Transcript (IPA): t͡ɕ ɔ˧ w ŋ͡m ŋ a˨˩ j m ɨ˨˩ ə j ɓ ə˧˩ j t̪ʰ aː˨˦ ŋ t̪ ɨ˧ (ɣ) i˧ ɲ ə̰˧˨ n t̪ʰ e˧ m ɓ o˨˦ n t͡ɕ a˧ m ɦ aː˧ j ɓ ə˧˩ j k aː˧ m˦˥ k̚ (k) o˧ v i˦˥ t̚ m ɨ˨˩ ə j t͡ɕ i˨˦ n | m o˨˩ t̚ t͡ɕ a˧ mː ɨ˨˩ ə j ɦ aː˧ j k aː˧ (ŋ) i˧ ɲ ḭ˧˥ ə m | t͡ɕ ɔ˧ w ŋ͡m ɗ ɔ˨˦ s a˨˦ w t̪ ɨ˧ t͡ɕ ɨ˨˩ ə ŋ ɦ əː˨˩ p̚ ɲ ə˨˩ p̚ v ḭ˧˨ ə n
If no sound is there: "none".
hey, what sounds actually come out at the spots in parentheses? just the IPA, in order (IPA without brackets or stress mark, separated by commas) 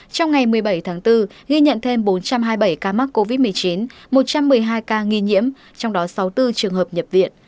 ɣ, k, ŋ